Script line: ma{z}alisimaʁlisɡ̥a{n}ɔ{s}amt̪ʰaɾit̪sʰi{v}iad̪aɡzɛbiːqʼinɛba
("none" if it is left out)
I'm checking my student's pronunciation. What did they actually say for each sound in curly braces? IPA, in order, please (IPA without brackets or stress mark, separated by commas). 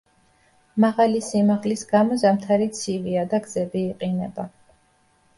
ʁ, m, z, v